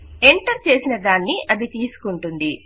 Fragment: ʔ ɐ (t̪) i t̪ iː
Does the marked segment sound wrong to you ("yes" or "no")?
yes